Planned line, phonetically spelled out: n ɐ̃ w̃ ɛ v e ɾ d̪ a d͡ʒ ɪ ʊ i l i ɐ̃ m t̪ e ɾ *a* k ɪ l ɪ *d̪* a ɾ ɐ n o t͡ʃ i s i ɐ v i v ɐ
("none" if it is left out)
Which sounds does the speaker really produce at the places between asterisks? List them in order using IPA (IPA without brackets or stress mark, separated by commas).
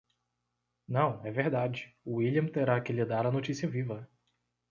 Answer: a, d̪